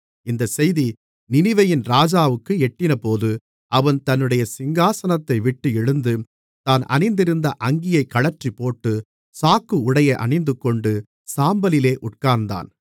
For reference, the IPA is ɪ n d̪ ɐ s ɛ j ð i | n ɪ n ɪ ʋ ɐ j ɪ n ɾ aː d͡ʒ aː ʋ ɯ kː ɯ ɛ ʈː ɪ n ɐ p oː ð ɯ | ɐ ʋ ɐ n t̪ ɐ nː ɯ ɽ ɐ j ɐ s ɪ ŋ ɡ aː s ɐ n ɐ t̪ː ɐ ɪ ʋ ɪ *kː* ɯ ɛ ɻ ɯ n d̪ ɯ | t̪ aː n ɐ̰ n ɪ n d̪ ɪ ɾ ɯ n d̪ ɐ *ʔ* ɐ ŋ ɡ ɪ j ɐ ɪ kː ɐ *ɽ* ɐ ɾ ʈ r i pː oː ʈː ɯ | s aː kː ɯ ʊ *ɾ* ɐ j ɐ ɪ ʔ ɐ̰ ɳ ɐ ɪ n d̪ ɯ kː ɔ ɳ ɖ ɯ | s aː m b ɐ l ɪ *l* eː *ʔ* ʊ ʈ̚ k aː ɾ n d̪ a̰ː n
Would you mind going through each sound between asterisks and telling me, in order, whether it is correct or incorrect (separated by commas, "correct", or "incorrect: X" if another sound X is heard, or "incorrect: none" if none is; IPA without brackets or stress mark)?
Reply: incorrect: ʈː, correct, incorrect: ɭ, incorrect: ɽ, correct, correct